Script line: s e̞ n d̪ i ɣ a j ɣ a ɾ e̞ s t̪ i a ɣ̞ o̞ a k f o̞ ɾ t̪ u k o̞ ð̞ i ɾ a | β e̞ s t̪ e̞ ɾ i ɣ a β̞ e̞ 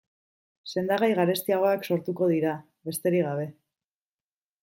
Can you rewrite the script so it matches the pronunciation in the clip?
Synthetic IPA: s e̞ n d̪ a ɣ a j ɣ a ɾ e̞ s t̪ i a ɣ̞ o̞ a k s o̞ ɾ t̪ u k o̞ ð̞ i ɾ a | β e̞ s t̪ e̞ ɾ i ɣ a β̞ e̞